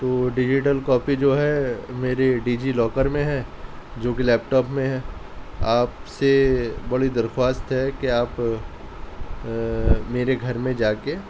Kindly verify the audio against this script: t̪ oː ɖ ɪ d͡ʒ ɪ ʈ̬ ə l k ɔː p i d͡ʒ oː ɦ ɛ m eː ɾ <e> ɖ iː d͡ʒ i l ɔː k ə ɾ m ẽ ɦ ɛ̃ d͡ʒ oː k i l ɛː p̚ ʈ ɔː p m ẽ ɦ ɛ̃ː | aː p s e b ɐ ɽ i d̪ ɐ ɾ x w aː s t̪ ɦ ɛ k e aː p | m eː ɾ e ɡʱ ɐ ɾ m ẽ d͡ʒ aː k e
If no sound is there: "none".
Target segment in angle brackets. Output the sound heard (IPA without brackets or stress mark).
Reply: e